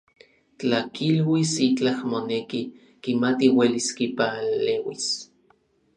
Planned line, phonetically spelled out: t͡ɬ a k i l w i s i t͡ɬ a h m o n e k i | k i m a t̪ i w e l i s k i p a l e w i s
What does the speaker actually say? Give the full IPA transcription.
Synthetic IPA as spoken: t͡ɬ a k i l w i s i t͡ɬ a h m o n e k i | k i m a t̪ i w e l i s k i p a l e w i s